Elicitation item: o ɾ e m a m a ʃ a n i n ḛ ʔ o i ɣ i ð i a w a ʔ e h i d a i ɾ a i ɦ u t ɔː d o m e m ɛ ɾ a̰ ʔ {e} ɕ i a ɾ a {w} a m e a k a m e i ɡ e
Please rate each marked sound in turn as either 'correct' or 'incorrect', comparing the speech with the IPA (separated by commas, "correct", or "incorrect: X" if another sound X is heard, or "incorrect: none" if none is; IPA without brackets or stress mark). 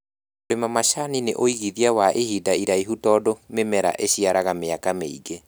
correct, incorrect: ɣ